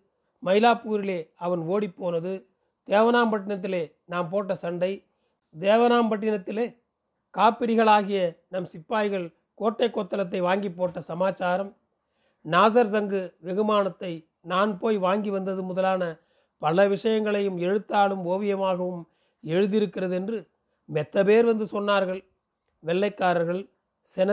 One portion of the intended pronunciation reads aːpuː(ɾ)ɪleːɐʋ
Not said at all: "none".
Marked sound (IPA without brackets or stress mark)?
ɾ